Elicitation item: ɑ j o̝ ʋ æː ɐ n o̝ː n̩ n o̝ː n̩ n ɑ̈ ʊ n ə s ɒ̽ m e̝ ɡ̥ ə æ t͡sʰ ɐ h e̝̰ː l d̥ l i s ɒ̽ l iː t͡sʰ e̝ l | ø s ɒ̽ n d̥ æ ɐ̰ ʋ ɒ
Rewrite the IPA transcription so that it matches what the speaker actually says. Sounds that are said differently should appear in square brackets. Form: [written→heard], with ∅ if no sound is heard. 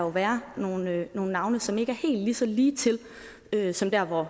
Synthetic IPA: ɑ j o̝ ʋ æː ɐ n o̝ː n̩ n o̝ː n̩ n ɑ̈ ʊ n ə s ɒ̽ m e̝ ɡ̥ ə æ [t͡sʰ→∅] ɐ h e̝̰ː l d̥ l i s ɒ̽ l iː t͡sʰ e̝ l | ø s ɒ̽ [n→m] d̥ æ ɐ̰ ʋ ɒ